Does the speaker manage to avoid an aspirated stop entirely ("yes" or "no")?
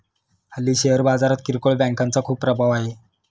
no